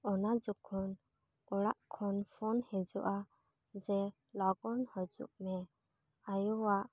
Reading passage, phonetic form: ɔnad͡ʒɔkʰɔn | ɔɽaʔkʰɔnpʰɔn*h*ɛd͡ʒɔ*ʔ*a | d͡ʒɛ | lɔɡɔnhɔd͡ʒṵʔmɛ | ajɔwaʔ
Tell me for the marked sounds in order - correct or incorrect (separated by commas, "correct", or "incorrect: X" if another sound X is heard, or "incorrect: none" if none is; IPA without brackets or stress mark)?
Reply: correct, correct